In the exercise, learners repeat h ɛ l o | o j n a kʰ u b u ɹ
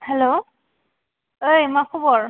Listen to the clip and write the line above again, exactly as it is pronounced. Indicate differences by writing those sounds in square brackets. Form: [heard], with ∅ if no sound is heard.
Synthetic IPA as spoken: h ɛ l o | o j [m] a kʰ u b [ɔ] ɹ